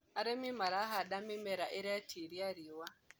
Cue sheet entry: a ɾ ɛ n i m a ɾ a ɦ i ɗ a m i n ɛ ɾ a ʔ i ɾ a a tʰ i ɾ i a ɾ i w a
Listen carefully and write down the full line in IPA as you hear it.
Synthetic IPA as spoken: a ɾ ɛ m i m a ɾ a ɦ a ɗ a m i m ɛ ɾ a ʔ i ɾ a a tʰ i ɾ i a ɾ i w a